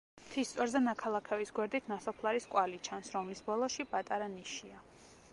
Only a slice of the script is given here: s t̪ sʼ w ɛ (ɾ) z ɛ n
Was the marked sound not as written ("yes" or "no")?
no